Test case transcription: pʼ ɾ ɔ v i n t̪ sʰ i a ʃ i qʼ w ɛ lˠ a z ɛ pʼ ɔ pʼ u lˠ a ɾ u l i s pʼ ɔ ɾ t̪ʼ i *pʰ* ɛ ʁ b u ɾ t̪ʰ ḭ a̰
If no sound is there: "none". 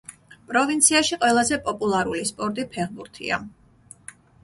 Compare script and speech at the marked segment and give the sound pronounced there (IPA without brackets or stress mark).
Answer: pʰ